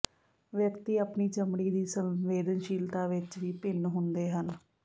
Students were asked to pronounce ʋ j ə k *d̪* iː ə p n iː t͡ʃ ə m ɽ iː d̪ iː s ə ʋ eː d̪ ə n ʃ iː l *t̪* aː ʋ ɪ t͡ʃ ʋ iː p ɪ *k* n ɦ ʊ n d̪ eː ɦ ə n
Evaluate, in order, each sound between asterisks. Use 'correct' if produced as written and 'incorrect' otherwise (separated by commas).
incorrect, correct, incorrect